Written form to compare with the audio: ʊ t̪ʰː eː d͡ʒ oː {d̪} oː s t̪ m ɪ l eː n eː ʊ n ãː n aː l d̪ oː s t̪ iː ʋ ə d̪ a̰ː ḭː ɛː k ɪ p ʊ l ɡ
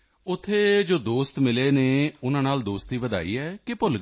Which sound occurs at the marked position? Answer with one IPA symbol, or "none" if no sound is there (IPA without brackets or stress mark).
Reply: d̪